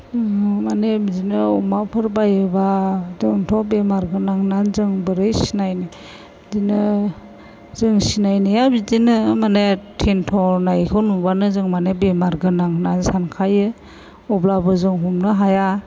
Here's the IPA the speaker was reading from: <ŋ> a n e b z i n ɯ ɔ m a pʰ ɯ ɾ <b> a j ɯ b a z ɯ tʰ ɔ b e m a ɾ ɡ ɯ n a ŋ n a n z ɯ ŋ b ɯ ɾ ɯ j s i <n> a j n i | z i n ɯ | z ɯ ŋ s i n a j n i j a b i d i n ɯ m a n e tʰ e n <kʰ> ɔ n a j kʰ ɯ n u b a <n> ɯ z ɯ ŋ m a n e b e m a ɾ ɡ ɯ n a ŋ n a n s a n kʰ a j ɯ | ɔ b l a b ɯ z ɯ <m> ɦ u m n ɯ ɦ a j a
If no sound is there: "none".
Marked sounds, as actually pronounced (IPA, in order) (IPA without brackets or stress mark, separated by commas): m, b, n, tʰ, n, ŋ